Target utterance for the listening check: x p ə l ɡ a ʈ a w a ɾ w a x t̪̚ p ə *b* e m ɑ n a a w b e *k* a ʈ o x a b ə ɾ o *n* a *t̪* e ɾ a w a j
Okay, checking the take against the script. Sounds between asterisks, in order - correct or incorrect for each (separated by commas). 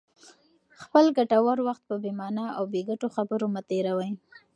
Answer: correct, incorrect, incorrect, correct